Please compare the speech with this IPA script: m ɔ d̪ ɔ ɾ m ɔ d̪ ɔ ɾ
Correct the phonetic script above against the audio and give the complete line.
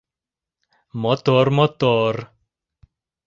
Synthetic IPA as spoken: m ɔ t̪ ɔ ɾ m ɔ t̪ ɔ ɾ